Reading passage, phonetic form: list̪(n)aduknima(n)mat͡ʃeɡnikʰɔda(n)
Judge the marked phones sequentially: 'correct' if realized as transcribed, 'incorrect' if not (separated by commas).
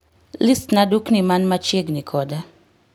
correct, correct, incorrect